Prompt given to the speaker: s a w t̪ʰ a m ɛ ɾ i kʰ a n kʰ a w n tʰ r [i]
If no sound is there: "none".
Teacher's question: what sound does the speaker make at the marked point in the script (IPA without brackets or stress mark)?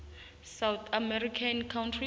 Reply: i